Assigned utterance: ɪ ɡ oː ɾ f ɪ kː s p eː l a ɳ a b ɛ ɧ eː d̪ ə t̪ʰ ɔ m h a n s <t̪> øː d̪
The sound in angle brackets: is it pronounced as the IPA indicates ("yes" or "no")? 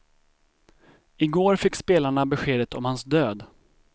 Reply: no